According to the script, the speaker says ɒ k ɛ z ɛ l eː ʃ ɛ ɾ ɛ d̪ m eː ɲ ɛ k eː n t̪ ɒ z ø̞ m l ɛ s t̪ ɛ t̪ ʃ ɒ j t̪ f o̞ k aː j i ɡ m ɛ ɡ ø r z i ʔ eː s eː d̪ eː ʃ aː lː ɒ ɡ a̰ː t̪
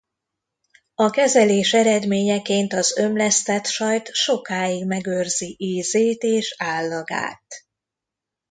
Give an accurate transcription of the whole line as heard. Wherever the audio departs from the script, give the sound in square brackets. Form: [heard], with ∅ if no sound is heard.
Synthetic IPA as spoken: ɒ k ɛ z ɛ l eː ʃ ɛ ɾ ɛ d̪ m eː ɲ ɛ k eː n t̪ ɒ z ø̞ m l ɛ s t̪ ɛ t̪ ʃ ɒ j t̪ [ʃ] o̞ k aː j i ɡ m ɛ ɡ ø r z i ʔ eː [z] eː [t̪] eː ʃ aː lː ɒ ɡ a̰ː t̪